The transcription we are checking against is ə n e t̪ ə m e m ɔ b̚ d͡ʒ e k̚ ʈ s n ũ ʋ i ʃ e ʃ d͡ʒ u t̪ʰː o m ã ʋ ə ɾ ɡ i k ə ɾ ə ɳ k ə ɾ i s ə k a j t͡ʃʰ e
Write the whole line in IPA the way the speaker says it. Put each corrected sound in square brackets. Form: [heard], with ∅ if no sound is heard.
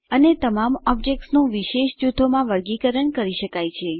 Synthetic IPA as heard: ə n e t̪ ə m [a] m ɔ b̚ d͡ʒ e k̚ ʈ s n ũ ʋ i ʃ e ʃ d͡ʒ u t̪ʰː o m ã ʋ ə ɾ ɡ i k ə ɾ ə ɳ k ə ɾ i [ʃ] ə k a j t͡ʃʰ e